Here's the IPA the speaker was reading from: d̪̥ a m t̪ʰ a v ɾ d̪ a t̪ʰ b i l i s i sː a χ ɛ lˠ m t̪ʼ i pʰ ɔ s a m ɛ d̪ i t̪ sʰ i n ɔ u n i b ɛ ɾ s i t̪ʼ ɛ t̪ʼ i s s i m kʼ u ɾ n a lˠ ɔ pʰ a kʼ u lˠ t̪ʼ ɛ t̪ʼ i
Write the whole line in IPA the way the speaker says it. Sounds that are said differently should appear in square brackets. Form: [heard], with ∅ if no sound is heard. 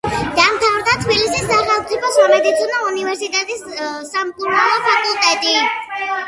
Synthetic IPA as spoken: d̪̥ a m t̪ʰ a v ɾ d̪ a t̪ʰ b i l i s i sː a χ ɛ lˠ m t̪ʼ i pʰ ɔ s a m ɛ d̪ i t̪ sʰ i n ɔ u n i [v] ɛ ɾ s i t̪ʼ ɛ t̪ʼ i s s [a] m kʼ u ɾ n a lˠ ɔ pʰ a kʼ u lˠ t̪ʼ ɛ t̪ʼ i